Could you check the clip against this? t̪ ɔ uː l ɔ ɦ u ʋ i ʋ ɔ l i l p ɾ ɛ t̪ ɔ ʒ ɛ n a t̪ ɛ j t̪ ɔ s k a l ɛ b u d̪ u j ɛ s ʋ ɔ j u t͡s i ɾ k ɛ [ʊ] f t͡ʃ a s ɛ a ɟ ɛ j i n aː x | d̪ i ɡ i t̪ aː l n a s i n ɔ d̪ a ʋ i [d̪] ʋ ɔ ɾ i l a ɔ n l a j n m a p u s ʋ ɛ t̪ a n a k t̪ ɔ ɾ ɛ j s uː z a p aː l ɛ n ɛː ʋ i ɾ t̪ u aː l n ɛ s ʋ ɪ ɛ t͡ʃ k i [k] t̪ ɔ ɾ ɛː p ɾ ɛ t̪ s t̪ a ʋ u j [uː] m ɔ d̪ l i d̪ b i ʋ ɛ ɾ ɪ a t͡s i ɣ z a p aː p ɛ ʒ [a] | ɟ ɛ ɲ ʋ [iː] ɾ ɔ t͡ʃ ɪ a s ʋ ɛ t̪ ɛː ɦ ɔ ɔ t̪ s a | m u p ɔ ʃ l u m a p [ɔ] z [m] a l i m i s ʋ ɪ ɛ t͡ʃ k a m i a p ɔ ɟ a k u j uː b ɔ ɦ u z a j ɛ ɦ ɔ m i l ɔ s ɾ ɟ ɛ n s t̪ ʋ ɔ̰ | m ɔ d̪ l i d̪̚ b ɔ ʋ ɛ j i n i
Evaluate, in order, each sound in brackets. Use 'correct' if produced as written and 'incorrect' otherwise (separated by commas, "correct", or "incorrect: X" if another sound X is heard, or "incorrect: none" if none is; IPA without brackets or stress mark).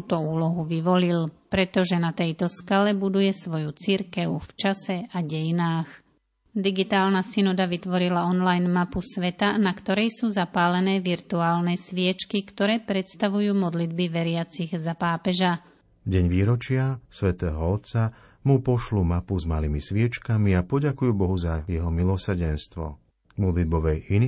correct, incorrect: t̪, correct, correct, correct, correct, incorrect: u, correct